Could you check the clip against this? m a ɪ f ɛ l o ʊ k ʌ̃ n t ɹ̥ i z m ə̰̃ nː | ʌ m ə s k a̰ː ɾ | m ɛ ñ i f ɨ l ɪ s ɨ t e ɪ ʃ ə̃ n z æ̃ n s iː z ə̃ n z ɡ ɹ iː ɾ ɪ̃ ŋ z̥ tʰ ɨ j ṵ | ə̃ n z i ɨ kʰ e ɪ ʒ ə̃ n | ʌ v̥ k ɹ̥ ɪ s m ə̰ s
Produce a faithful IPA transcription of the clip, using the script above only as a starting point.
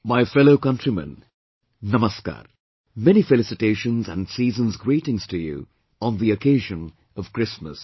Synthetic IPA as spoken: m a ɪ f ɛ l o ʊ k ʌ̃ n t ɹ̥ i m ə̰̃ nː | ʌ m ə s k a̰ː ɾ | m ɛ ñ i f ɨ l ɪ s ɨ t e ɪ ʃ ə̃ n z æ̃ n s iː z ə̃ n z ɡ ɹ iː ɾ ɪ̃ ŋ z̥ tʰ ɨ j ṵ | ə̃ n ð i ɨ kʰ e ɪ ʒ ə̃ n | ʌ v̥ k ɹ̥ ɪ s m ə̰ s